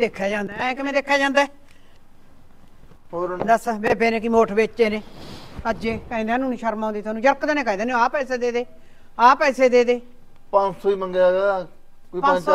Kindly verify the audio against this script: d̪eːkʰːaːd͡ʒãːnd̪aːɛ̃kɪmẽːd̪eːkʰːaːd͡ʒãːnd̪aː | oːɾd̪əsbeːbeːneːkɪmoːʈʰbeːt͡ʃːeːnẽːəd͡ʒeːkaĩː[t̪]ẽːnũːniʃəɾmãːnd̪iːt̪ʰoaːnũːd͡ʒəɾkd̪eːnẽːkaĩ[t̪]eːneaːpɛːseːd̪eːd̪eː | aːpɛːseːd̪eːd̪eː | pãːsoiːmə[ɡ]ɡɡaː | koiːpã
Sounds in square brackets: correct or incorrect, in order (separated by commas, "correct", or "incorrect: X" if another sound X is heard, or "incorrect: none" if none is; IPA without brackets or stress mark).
incorrect: d̪, incorrect: d̪, incorrect: ŋ